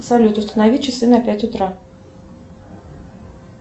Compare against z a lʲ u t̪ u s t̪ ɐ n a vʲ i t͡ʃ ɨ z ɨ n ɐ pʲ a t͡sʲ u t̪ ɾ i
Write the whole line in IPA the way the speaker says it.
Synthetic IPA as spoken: s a lʲ u t̪ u s t̪ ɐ n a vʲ i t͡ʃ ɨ s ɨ n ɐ pʲ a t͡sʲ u t̪ ɾ a